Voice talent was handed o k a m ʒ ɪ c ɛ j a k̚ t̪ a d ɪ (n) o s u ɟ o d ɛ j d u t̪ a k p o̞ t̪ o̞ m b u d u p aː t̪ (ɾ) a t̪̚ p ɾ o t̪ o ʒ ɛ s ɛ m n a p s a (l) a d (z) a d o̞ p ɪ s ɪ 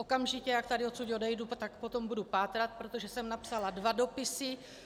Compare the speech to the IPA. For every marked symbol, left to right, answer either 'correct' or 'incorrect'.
incorrect, correct, correct, incorrect

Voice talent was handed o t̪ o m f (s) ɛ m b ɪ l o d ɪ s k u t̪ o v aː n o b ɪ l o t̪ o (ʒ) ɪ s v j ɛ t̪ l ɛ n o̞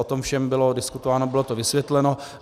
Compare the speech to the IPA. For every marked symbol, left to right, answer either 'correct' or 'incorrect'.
incorrect, incorrect

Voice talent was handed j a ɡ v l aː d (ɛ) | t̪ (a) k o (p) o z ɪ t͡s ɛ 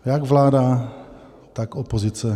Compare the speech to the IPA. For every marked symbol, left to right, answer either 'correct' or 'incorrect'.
incorrect, correct, correct

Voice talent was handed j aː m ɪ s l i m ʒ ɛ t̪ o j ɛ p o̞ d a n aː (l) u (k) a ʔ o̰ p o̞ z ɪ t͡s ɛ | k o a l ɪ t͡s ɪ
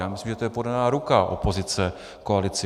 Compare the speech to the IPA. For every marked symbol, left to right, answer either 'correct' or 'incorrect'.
incorrect, correct

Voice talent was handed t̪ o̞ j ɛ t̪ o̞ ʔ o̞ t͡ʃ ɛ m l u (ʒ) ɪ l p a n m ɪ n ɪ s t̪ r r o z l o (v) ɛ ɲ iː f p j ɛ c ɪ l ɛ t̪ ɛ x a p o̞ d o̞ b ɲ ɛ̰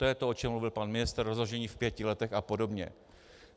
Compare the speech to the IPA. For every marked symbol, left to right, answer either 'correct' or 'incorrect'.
incorrect, incorrect

